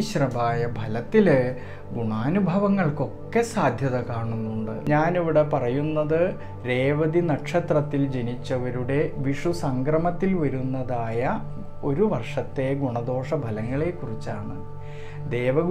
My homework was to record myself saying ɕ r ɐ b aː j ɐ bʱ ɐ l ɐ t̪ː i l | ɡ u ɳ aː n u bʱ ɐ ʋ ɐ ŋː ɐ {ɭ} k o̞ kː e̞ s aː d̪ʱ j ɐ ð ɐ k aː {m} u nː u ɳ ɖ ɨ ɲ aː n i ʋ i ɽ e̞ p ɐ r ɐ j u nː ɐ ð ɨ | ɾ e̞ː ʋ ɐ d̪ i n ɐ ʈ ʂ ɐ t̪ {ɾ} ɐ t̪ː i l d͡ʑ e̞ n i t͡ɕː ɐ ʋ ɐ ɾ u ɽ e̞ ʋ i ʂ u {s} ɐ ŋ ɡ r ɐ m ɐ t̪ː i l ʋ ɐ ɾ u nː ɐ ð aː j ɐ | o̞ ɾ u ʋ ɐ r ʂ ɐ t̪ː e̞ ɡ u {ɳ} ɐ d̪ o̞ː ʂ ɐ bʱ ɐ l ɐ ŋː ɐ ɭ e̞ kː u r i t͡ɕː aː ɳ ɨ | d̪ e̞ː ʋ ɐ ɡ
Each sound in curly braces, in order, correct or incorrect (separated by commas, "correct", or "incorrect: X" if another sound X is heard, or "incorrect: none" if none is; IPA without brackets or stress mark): correct, incorrect: ɳ, incorrect: r, correct, correct